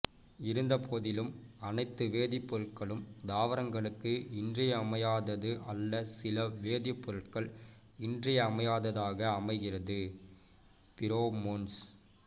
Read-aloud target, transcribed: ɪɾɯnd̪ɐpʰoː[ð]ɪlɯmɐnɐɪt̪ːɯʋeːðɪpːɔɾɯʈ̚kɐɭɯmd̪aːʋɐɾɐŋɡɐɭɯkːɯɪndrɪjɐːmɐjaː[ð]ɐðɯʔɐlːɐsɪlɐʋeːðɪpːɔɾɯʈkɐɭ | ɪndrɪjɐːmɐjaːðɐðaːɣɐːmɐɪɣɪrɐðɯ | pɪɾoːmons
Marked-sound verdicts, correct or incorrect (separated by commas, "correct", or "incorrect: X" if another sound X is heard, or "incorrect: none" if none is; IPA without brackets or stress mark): correct, correct